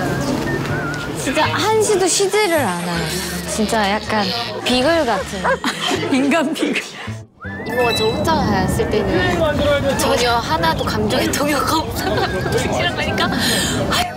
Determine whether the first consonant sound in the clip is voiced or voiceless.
voiceless